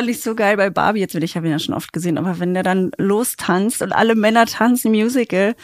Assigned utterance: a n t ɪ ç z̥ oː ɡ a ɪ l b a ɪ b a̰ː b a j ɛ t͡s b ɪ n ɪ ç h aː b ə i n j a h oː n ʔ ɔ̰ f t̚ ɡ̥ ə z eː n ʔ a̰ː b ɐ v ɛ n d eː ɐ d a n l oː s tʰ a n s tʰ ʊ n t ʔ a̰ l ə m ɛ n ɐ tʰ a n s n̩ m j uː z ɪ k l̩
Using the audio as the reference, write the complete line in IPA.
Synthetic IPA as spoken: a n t ɪ ç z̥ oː ɡ a ɪ l b a ɪ b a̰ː b i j ɛ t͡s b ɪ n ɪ ç h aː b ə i n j a ʃ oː n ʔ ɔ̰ f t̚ ɡ̥ ə z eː n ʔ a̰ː b ɐ v ɛ n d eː ɐ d a n l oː s tʰ a n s t ʊ n t ʔ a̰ l ə m ɛ n ɐ tʰ a n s n̩ m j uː z ɪ k l̩